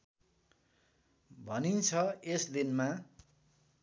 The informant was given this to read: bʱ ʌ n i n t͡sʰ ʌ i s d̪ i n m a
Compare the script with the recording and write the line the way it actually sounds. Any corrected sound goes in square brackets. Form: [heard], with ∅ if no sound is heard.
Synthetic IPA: bʱ ʌ n i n t͡sʰ ʌ [e] s d̪ i n m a